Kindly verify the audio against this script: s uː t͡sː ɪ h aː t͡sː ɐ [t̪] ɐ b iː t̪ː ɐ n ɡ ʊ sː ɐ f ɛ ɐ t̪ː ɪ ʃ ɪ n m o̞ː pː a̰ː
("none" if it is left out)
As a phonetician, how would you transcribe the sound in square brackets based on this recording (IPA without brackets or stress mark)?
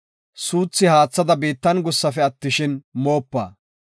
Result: d̪